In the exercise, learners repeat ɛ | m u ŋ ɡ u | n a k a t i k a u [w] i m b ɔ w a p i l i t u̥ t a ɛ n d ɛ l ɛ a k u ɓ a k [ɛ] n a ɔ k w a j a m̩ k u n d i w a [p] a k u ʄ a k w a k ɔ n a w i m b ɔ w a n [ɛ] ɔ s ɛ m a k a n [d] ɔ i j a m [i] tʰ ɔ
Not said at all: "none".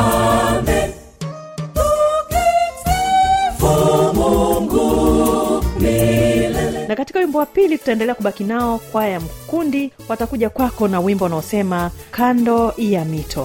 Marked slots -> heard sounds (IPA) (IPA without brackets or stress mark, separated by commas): w, i, t, a, d, i